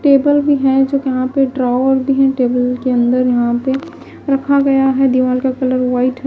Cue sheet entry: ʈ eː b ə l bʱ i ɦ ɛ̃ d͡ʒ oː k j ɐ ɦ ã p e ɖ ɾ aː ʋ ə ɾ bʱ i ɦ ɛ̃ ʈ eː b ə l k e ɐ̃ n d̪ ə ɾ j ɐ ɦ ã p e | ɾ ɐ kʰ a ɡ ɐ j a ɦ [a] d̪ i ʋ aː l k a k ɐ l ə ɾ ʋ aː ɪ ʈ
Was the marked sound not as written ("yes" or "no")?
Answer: yes